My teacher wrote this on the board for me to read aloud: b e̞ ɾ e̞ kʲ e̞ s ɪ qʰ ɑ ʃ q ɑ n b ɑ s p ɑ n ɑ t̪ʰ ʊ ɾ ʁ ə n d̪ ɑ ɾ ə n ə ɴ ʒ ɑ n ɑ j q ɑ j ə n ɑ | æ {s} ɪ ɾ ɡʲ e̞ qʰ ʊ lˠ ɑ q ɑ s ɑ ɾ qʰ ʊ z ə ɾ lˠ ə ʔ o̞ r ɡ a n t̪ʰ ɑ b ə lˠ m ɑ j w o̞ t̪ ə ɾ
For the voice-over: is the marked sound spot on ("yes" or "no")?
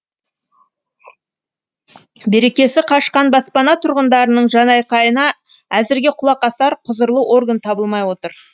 no